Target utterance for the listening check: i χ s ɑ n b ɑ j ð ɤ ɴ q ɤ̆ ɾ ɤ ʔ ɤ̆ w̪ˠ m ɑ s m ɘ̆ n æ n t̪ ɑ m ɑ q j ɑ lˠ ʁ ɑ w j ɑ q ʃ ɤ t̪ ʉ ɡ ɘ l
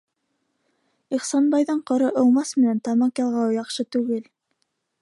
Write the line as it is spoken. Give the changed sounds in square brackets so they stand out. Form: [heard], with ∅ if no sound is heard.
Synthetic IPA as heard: i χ s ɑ n b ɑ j ð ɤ ɴ q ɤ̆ ɾ ɤ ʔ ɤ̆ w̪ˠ m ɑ s m ɘ̆ n æ n t̪ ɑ m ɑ q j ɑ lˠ ʁ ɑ w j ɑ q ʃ ɤ t̪ ʉ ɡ ɘ l